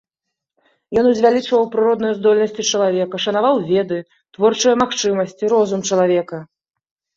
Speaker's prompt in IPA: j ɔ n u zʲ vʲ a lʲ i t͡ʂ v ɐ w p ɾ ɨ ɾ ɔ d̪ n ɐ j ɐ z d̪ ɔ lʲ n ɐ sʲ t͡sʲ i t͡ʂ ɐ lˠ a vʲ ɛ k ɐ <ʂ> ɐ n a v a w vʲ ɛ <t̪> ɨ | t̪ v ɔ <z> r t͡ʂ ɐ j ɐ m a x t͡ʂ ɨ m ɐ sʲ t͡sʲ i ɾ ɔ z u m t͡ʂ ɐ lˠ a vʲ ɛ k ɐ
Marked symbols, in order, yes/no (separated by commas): yes, no, no